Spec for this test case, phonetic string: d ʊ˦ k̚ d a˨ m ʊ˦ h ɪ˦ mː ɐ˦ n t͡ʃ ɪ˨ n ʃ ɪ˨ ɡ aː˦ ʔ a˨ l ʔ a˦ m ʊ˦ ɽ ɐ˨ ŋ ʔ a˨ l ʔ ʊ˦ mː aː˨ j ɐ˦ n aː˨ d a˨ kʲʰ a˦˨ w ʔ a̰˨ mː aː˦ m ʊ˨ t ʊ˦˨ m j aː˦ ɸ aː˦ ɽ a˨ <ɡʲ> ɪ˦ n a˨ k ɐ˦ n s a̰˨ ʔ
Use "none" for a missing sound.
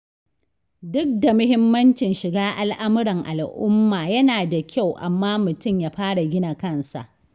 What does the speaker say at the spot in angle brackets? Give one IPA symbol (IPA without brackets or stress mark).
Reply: ɡʲ